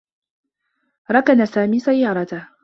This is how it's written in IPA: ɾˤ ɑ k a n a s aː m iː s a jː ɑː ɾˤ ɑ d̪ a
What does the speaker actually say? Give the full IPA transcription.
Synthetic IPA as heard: ɾˤ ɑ k a n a s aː m iː s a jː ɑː ɾˤ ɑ t̪ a